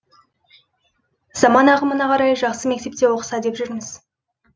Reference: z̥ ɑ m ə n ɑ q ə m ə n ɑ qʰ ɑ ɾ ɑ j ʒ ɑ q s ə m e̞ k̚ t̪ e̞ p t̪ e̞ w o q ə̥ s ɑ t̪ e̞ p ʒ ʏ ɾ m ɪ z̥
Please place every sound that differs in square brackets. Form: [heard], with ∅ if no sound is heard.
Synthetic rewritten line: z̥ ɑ m [ɑ] n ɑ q ə m ə n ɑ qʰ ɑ ɾ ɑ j ʒ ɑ q s ə m e̞ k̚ t̪ e̞ p t̪ e̞ w o q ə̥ s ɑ [d̪] e̞ p ʒ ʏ ɾ m ɪ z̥